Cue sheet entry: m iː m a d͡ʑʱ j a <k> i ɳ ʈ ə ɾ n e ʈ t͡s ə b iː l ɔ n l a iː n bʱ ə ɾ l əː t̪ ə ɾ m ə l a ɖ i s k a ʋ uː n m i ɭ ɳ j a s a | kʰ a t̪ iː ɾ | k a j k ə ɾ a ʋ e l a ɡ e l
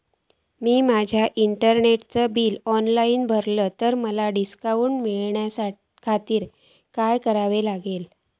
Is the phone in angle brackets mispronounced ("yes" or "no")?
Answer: yes